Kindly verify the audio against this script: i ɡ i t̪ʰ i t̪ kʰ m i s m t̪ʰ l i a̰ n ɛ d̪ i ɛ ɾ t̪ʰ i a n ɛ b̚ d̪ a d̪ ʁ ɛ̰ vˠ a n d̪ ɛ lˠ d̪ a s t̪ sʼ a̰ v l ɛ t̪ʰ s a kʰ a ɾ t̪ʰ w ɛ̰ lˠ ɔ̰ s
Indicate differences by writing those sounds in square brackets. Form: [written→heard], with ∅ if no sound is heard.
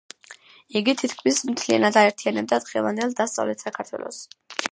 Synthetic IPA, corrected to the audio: i ɡ i t̪ʰ i t̪ kʰ m i s m t̪ʰ l i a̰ n [ɛ→a] d̪ [i→a] ɛ ɾ t̪ʰ i a n ɛ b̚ d̪ a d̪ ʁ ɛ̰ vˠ a n d̪ ɛ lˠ d̪ a s t̪ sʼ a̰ v l ɛ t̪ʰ s a kʰ a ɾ t̪ʰ w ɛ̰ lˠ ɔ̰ s